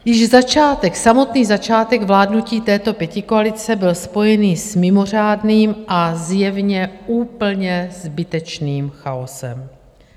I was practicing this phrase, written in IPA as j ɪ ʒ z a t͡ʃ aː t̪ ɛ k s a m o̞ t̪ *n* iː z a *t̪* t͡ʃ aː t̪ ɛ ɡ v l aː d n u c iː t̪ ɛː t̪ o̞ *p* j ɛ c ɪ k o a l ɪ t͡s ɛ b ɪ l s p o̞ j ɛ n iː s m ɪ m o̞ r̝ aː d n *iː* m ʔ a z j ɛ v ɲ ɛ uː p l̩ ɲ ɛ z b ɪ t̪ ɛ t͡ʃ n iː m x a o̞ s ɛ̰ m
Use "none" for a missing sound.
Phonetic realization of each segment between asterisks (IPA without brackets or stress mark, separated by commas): n, none, p, iː